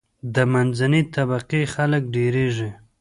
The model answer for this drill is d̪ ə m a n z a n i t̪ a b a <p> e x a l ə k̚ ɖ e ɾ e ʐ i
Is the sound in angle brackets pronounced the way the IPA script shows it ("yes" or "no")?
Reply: no